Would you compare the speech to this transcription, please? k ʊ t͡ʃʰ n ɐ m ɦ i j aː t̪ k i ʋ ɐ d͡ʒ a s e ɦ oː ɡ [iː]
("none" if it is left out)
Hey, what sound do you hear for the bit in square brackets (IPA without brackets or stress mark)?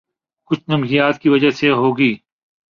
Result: iː